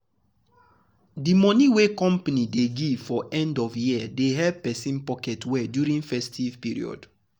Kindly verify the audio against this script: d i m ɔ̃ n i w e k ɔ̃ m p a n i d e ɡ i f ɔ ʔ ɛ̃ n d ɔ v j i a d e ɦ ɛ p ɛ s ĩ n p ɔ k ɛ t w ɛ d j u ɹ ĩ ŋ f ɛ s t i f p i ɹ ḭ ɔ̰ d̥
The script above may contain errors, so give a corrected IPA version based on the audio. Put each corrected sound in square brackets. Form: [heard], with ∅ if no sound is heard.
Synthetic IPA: d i m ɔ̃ n i w e k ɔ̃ m p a n i d e ɡ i f ɔ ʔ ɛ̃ n d ɔ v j i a d e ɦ ɛ p ɛ s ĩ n p ɔ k ɛ t w ɛ d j u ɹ ĩ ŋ f ɛ s t i [v] p i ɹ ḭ ɔ̰ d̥